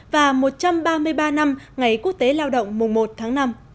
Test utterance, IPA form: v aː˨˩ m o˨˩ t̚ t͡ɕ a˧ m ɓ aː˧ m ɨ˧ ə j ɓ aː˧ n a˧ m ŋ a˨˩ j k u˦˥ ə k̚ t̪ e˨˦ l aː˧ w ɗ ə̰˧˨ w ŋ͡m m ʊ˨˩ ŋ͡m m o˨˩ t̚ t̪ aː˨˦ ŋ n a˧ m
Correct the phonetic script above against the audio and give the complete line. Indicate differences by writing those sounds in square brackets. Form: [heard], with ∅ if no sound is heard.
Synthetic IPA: v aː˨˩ m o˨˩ t̚ t͡ɕ a˧ m ɓ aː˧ m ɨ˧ ə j ɓ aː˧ n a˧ m ŋ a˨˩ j k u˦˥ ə k̚ t̪ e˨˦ l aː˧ w ɗ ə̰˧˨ w ŋ͡m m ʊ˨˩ ŋ͡m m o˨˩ t̚ [t̪ʰ] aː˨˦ ŋ n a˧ m